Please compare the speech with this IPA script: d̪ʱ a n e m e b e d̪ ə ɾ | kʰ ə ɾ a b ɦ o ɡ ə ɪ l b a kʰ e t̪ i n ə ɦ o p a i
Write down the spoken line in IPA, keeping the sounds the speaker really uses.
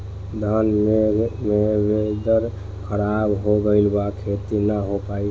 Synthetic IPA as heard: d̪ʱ a n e m e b e d̪ ə ɾ | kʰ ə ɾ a b ɦ o ɡ ə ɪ l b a kʰ e t̪ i n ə ɦ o p a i